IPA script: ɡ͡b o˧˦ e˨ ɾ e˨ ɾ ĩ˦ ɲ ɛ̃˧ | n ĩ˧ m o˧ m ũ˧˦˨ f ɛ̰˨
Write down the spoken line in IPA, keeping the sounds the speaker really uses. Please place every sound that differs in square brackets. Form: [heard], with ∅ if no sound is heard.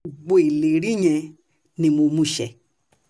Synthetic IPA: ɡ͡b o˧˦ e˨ [l] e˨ ɾ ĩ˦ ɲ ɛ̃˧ | n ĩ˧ m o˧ m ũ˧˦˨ [ʃ] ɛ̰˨